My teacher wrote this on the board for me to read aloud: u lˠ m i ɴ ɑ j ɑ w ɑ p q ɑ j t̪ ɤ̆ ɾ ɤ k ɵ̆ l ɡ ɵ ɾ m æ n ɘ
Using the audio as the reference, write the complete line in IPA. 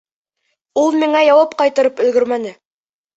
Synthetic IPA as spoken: u lˠ m i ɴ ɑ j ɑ w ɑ p q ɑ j t̪ ɤ̆ ɾ ɤ p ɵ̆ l ɡ ɵ ɾ m æ n ɘ